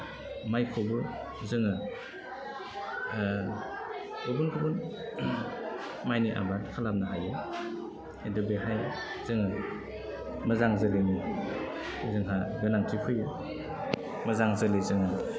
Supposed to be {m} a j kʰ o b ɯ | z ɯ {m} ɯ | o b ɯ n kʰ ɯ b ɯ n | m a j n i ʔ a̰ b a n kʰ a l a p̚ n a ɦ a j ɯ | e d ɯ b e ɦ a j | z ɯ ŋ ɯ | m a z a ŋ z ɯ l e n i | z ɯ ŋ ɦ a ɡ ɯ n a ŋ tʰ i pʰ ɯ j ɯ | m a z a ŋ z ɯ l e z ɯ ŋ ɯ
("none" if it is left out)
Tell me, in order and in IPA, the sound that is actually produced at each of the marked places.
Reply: m, ŋ

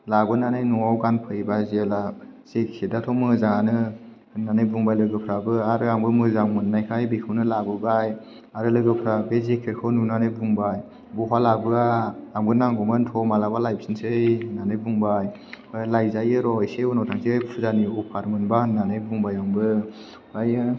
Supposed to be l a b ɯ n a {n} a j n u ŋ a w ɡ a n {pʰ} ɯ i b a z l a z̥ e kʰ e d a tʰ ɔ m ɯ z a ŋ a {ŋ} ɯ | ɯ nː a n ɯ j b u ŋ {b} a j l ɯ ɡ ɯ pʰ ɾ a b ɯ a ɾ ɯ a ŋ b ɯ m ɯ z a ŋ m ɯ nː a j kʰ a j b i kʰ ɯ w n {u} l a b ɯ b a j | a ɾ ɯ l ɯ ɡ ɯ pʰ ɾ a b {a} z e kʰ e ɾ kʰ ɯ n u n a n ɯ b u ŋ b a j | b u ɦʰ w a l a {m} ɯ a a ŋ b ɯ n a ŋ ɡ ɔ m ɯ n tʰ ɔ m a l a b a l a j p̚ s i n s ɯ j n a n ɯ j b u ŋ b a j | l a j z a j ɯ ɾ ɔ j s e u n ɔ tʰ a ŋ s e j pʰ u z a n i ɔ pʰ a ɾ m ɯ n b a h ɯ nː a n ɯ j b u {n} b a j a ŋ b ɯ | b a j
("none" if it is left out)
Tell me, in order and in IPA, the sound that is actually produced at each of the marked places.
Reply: n, pʰ, n, b, ɯ, e, b, ŋ

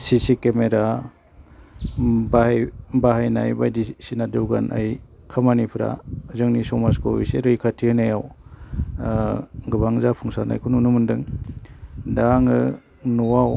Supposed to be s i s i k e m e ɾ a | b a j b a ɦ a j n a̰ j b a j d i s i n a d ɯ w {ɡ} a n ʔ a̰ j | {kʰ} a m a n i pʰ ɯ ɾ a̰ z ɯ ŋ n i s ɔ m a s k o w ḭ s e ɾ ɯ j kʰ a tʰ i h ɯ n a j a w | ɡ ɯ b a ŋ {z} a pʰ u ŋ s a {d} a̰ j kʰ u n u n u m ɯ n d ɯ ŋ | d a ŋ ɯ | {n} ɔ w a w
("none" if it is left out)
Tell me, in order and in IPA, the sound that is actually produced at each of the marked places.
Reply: ɡ, kʰ, z, n, n

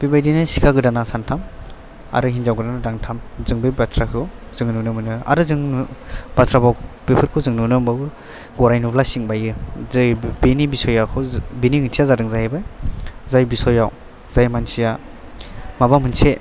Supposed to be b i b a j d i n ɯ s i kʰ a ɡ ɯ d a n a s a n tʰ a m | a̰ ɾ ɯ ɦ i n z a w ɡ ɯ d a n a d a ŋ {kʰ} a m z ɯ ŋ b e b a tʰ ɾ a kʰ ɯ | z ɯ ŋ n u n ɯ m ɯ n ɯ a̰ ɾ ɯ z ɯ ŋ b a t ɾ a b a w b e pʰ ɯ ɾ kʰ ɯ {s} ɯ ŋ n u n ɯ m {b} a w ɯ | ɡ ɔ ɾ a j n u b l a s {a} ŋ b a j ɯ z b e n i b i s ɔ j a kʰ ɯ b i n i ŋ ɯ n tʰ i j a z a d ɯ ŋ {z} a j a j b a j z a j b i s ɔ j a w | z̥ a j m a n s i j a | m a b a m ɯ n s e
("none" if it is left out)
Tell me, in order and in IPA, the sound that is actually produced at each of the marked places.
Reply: tʰ, z, b, i, z

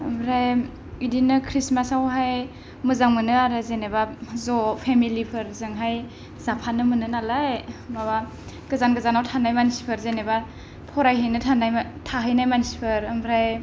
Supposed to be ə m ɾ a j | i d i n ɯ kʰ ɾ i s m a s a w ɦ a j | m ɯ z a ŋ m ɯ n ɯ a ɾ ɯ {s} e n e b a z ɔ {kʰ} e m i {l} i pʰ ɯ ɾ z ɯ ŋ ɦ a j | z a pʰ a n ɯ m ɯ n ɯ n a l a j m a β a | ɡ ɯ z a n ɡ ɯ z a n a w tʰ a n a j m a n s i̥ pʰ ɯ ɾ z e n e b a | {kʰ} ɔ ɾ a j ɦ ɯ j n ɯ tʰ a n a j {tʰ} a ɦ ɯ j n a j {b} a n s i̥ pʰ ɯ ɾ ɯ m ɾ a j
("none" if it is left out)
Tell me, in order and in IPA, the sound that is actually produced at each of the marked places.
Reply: z, pʰ, l, pʰ, tʰ, m

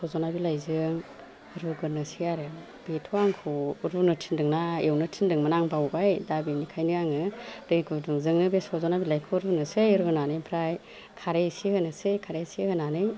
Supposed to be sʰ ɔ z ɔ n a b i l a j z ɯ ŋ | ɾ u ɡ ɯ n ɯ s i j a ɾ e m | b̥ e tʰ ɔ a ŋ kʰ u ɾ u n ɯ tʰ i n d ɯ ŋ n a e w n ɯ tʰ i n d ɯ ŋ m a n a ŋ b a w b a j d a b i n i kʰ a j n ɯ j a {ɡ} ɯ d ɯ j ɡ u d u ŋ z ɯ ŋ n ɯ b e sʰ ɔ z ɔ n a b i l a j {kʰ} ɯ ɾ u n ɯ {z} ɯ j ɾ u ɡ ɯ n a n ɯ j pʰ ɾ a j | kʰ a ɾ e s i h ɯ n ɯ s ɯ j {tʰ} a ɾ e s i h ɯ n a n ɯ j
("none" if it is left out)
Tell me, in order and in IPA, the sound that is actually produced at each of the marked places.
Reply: ŋ, kʰ, s, kʰ

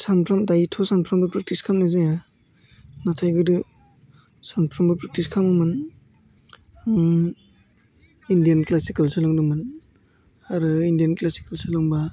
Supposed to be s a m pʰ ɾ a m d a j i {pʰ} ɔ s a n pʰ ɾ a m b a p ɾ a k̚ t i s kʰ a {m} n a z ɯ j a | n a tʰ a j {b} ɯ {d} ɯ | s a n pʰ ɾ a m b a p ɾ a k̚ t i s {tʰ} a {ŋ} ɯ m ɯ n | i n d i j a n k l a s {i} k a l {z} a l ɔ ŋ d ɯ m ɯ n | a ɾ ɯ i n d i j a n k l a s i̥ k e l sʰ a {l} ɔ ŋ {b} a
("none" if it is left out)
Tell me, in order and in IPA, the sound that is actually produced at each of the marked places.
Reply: tʰ, m, ɡ, d, kʰ, m, i, s, l, b

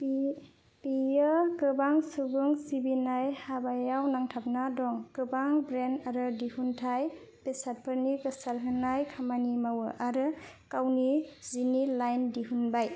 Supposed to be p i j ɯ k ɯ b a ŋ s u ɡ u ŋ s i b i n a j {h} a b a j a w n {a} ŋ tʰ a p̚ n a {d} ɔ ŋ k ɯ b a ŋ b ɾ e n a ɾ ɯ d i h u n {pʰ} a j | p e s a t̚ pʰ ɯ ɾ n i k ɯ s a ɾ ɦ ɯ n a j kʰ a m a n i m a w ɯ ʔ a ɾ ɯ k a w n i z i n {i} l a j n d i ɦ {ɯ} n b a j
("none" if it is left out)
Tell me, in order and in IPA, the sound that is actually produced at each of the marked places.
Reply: h, a, d, tʰ, i, u

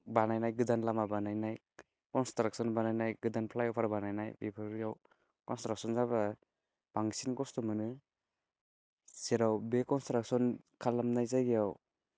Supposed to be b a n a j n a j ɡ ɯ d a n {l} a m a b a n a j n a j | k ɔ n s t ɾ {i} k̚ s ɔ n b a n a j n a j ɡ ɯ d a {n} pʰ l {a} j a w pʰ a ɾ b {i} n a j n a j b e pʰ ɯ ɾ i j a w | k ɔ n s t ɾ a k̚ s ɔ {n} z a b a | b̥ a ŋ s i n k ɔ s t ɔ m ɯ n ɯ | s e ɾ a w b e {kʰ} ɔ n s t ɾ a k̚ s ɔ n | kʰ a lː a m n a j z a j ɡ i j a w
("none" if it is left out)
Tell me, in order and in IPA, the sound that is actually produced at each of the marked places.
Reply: l, a, n, a, a, n, k

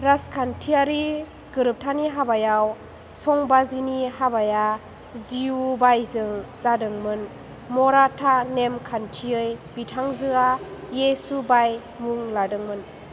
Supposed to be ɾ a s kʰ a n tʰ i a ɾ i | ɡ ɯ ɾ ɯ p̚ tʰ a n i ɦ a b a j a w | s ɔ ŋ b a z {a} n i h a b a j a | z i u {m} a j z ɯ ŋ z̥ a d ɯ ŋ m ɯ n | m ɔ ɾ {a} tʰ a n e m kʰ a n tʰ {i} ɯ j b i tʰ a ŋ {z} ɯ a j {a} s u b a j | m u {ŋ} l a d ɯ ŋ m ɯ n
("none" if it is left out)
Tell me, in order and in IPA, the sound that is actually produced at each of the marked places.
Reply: i, b, a, i, z, e, ŋ

